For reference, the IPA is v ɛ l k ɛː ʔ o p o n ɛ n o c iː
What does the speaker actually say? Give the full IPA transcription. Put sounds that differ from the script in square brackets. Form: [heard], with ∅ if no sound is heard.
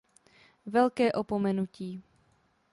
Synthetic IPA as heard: v ɛ l k ɛː ʔ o p o [m] ɛ n [u] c iː